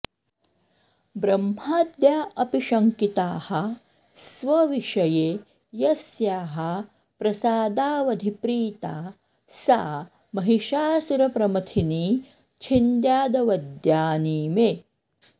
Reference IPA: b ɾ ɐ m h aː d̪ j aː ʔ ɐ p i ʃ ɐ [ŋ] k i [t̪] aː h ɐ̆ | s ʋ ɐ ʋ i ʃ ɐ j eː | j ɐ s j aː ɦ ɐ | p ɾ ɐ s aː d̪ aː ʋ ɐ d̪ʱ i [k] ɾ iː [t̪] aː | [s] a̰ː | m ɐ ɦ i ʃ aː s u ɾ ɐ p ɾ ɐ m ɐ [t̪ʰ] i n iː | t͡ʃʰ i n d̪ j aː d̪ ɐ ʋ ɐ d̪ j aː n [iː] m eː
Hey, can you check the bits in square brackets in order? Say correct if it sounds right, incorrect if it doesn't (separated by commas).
correct, correct, incorrect, correct, correct, correct, correct